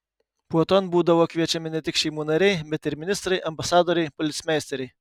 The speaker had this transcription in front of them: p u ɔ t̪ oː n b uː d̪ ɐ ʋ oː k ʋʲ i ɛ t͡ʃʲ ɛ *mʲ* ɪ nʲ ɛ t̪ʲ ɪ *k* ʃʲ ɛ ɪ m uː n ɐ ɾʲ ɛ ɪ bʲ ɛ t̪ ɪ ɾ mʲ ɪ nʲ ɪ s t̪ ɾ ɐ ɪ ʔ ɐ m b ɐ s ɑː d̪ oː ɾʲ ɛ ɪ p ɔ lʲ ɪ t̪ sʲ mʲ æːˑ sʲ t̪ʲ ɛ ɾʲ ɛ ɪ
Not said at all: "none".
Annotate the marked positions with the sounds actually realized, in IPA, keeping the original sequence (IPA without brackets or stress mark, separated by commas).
mʲ, k